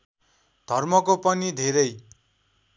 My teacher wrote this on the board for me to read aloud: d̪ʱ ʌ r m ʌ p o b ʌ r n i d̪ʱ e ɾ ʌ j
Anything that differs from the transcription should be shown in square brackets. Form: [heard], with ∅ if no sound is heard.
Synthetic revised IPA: d̪ʱ ʌ r m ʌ [k] o [p] ʌ [∅] n i d̪ʱ e ɾ ʌ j